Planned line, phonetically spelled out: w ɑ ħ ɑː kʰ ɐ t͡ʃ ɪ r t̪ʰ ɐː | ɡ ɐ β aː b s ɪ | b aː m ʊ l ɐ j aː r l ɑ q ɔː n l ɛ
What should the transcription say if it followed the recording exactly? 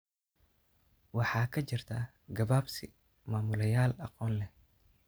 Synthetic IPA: w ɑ ħ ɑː kʰ ɐ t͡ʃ ɪ r t̪ʰ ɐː | ɡ ɐ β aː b s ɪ | m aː m ʊ l ɐ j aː l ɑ q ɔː n l ɛ